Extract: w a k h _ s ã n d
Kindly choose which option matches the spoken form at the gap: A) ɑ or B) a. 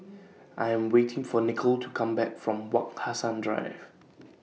B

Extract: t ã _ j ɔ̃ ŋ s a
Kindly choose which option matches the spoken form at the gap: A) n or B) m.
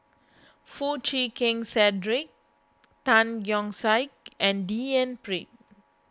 A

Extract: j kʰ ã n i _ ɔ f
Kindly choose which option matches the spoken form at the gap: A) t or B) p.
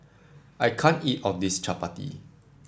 A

